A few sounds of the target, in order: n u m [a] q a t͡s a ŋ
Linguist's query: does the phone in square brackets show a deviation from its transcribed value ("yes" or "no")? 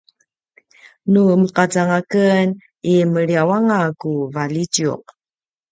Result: yes